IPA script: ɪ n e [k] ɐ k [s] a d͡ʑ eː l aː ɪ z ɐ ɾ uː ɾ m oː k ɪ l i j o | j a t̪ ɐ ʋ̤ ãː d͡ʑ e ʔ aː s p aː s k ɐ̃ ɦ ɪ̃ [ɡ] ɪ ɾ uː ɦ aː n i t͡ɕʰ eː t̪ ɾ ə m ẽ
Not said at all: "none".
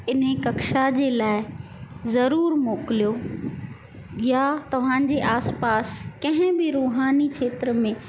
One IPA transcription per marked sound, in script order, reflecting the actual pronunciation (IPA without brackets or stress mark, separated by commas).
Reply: k, ʃ, b